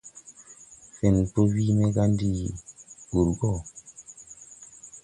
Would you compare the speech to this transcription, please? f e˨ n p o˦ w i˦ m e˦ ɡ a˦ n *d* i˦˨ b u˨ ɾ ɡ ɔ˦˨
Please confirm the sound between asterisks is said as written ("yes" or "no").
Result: yes